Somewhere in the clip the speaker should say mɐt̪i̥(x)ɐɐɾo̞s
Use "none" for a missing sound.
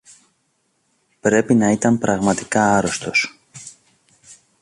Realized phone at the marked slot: k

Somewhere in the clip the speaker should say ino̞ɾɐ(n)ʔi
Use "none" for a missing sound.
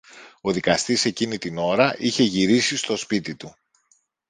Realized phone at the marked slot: none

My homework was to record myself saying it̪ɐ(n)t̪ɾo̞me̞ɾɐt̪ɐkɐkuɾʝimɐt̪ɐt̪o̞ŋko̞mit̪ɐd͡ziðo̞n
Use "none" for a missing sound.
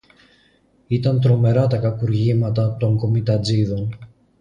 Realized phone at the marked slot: n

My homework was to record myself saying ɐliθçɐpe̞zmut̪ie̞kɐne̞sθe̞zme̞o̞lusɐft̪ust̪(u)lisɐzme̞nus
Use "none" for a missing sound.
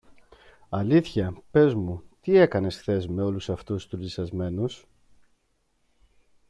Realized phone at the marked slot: u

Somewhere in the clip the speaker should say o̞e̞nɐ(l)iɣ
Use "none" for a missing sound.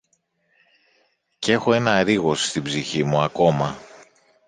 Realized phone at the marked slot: ɾ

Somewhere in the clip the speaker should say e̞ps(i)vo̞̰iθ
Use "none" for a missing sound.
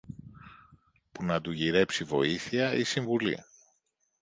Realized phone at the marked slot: i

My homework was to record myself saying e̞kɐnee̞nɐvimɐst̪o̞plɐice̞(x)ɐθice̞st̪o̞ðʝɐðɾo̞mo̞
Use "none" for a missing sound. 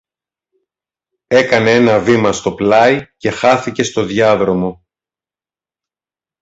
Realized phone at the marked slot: x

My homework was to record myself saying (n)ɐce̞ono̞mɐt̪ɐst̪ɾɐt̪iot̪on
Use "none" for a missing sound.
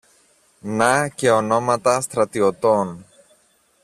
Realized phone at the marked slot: n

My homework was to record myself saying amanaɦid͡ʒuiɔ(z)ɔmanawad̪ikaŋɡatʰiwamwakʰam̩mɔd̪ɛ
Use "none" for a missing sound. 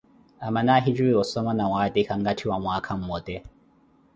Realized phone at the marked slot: s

